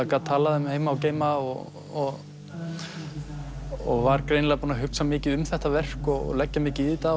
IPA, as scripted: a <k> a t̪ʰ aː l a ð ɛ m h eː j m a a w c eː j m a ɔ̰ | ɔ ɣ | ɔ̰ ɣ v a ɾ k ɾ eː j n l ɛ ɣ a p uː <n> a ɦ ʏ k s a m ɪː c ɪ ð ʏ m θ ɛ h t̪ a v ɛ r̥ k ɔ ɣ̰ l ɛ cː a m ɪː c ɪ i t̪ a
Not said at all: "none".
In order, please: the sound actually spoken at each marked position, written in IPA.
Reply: k, n

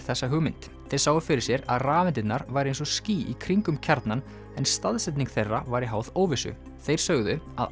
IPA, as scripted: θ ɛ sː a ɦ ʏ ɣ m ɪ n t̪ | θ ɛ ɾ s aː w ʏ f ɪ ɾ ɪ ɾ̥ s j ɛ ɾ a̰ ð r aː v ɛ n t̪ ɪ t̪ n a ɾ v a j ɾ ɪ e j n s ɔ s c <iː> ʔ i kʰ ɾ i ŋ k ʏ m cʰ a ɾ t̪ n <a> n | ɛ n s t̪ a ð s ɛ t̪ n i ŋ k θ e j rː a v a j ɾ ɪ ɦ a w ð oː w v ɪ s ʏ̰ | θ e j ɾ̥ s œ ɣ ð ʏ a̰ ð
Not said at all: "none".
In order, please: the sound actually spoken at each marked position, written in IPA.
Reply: iː, a

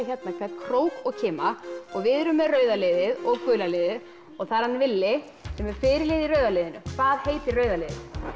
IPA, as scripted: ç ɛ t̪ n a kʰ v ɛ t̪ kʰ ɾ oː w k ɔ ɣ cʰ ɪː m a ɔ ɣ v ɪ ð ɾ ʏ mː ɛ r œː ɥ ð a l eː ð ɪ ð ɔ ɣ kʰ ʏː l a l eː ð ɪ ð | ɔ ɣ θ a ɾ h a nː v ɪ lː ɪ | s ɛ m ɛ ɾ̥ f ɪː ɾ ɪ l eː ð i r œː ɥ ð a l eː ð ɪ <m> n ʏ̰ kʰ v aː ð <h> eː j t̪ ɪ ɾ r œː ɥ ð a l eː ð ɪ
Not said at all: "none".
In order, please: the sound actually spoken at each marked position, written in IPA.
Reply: none, h

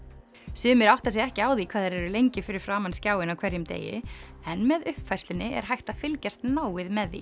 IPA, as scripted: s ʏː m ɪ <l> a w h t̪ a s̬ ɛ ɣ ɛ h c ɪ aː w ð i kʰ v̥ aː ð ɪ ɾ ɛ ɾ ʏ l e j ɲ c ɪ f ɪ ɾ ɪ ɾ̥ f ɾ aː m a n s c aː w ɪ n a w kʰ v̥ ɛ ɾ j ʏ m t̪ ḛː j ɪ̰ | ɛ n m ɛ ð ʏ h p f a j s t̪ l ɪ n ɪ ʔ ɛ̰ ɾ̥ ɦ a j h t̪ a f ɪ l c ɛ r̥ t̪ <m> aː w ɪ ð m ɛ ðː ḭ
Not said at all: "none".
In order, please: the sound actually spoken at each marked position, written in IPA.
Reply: ɾ, n

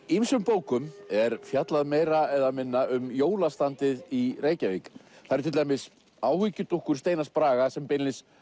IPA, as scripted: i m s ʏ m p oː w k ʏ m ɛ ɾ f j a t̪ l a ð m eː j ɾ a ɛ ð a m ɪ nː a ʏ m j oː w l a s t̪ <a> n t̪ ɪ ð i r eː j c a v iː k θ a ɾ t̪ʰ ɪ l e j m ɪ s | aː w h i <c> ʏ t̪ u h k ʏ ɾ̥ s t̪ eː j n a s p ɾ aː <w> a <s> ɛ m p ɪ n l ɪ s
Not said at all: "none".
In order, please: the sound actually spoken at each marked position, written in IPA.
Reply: a, c, ɣ, s

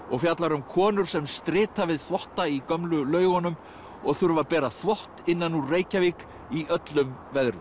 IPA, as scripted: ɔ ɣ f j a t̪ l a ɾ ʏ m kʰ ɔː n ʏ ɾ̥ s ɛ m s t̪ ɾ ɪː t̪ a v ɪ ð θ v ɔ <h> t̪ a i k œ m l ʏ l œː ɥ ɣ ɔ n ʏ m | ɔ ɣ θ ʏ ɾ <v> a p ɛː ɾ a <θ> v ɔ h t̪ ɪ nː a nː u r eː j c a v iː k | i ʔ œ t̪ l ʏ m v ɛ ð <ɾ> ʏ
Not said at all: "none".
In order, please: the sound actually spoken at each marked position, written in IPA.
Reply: h, v, θ, ɾ

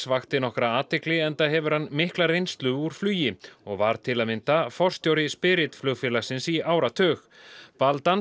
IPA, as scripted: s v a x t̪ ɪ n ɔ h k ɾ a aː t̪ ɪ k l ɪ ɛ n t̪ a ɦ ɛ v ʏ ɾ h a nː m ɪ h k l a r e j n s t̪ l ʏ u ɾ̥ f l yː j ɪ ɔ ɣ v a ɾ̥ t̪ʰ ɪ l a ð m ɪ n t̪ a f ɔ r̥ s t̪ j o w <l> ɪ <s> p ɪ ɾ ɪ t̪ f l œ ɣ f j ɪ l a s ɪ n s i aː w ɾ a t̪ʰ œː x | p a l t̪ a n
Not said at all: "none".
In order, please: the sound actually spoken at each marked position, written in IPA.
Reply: ɾ, s

